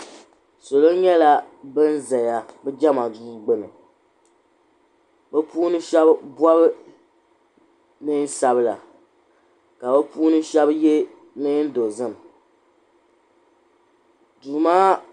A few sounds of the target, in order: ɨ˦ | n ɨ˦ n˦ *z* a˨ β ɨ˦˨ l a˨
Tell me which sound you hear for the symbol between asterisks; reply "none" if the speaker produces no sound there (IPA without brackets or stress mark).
s